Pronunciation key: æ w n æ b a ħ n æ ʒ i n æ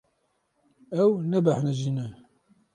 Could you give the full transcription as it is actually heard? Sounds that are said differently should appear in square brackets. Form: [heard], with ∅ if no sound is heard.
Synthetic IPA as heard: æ w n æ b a ħ n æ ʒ i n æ